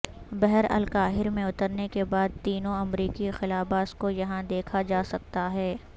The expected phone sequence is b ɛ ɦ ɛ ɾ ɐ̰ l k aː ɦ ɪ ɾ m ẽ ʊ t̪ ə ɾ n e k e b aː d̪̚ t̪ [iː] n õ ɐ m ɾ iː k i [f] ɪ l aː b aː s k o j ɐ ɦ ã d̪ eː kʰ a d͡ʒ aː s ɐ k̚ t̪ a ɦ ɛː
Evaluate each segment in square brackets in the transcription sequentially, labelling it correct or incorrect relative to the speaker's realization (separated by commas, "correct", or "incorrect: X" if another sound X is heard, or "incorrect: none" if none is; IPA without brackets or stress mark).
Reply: correct, incorrect: x